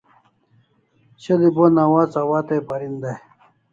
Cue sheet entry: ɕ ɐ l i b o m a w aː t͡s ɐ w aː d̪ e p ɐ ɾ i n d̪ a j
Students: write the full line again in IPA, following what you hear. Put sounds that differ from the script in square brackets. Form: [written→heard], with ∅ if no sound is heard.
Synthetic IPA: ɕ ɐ l i b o [m→n] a w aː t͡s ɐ w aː [d̪→t̪] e p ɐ ɾ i n d̪ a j

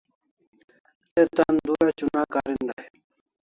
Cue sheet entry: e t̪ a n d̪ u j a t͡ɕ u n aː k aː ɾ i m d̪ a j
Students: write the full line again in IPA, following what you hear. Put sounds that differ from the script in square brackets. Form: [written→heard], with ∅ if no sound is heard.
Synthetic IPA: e t̪ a n d̪ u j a t͡ɕ u n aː k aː ɾ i [m→n] d̪ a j

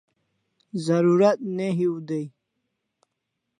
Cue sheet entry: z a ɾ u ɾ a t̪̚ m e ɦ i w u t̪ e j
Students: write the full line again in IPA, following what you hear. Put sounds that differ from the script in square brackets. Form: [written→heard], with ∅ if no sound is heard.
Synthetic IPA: z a ɾ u ɾ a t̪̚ [m→n] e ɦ i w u [t̪→d̪] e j

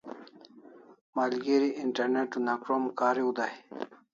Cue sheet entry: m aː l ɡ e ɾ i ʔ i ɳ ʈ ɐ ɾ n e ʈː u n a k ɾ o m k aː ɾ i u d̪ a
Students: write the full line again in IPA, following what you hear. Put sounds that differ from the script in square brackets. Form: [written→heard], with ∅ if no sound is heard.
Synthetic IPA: m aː l ɡ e ɾ i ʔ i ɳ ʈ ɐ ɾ n e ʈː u n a k ɾ o m k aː ɾ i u d̪ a

